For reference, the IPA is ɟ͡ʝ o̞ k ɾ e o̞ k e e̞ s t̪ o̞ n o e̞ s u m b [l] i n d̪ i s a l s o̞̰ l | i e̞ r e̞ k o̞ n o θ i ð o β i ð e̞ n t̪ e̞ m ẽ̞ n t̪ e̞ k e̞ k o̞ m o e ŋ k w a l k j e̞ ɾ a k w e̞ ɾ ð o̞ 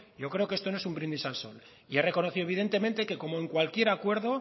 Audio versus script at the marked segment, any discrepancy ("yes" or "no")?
yes